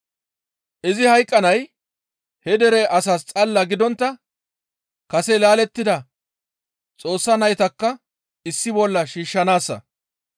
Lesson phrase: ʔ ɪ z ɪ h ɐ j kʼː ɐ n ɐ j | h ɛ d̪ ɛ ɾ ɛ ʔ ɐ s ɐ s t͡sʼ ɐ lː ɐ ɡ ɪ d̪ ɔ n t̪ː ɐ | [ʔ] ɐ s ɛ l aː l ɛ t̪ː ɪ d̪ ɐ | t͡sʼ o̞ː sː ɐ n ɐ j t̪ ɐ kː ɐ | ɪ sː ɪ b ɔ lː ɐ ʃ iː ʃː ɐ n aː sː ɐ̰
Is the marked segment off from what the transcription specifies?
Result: yes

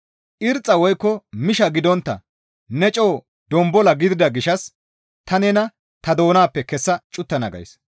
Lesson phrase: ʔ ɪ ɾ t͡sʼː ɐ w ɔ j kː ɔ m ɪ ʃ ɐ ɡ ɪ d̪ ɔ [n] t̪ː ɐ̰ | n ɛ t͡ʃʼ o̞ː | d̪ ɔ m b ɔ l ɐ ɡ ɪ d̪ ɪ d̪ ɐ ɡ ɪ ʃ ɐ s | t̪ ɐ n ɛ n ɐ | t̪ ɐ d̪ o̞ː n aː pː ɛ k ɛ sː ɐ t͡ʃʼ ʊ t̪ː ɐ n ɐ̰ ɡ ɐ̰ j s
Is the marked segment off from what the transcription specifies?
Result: no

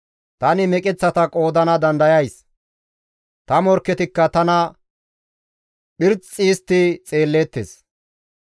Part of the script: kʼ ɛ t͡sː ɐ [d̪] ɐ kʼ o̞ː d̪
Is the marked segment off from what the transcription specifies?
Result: yes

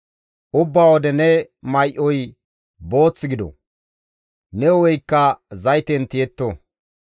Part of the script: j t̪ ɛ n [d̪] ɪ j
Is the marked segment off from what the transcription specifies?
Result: yes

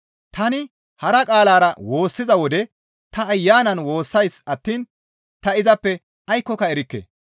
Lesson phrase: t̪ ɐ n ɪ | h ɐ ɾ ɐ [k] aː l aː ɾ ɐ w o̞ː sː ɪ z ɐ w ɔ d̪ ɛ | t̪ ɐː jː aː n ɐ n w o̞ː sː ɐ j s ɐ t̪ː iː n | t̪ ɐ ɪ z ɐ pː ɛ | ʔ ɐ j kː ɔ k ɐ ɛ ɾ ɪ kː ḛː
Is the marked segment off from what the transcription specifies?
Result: yes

